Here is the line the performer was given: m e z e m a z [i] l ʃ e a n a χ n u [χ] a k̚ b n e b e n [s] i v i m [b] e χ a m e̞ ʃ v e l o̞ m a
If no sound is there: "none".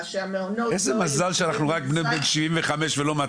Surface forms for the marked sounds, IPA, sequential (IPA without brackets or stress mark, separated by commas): a, ʁ, ʃ, v